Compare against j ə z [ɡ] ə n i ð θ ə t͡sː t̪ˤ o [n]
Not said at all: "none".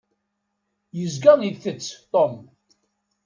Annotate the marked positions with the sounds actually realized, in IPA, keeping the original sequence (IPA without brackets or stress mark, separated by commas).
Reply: ɡ, m